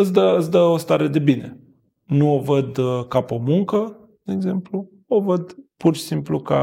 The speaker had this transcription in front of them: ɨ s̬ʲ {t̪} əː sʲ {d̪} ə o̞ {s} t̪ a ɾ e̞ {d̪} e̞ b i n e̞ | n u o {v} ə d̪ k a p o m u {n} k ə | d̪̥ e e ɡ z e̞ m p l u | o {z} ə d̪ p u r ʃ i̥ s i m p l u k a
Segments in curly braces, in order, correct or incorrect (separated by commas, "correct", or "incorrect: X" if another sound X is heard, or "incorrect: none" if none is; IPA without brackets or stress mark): incorrect: d̪, correct, correct, correct, correct, incorrect: ŋ, incorrect: v